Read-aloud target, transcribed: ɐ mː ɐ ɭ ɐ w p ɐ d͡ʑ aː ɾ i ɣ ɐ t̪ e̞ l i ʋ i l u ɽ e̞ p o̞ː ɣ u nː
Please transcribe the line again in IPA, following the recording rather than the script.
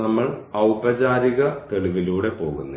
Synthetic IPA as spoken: ɐ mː ɐ ɭ ɐ w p ɐ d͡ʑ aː ɾ i ɣ ɐ t̪ e̞ ɭ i ʋ i l uː ɽ e̞ p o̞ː ɣ u nː